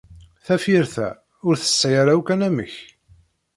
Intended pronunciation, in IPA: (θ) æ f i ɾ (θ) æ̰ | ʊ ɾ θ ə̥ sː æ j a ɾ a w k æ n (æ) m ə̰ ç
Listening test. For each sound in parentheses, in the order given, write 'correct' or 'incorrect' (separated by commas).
correct, correct, correct